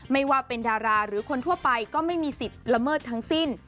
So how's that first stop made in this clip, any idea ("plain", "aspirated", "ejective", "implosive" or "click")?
plain